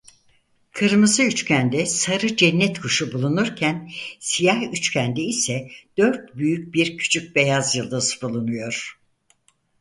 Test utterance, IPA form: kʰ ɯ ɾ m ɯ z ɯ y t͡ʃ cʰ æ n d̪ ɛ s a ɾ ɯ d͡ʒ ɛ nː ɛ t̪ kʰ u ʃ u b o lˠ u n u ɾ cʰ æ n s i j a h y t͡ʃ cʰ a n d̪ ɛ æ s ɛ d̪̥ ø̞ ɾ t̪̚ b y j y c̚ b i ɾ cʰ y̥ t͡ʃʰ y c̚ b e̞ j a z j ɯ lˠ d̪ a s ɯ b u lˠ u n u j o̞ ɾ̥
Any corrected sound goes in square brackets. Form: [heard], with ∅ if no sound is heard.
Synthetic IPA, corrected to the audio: kʰ ɯ ɾ m ɯ z ɯ y t͡ʃ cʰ æ n d̪ ɛ s a ɾ ɯ d͡ʒ ɛ nː ɛ t̪ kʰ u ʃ u b [u] lˠ u n u ɾ cʰ æ n s i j a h y t͡ʃ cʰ [æ] n d̪ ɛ [i] s ɛ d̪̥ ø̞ ɾ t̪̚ b y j y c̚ b i ɾ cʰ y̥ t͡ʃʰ y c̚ b e̞ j a z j ɯ lˠ d̪ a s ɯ b u lˠ u n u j o̞ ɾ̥